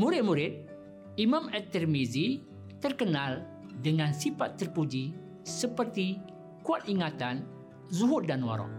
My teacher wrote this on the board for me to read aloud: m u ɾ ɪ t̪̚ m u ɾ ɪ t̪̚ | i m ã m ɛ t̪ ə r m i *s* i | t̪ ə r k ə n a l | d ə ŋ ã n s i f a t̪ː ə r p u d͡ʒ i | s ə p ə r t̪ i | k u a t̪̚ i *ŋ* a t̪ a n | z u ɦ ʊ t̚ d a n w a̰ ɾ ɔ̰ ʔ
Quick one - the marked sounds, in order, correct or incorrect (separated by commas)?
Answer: incorrect, correct